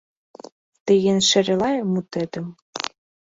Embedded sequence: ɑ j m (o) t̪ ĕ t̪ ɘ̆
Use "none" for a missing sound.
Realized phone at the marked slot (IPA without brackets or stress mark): u